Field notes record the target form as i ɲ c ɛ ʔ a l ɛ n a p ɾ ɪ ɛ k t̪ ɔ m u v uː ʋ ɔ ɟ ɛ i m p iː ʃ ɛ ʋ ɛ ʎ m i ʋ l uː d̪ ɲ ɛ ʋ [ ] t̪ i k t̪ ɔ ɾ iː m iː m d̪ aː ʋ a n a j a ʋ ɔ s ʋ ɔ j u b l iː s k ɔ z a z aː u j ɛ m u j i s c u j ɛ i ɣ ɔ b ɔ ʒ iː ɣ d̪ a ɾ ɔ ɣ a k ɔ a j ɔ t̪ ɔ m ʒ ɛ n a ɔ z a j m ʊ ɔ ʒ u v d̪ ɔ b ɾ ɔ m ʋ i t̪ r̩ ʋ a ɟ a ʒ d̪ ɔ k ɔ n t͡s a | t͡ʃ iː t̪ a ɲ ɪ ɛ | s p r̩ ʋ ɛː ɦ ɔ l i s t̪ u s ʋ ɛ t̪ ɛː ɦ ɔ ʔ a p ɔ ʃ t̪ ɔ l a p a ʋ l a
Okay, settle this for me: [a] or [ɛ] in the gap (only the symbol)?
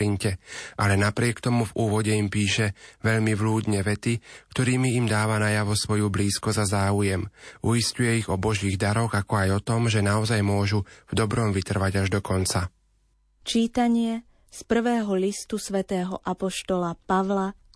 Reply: ɛ